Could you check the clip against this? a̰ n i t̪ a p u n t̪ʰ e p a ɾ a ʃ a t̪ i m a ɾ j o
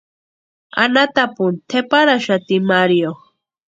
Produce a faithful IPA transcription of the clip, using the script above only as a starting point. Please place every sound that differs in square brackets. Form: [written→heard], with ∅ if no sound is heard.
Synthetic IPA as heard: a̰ n [i→a] t̪ a p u n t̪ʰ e p a ɾ a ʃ a t̪ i m a ɾ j o